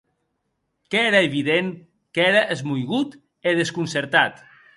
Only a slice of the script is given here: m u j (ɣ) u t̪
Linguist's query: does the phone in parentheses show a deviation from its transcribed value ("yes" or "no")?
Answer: no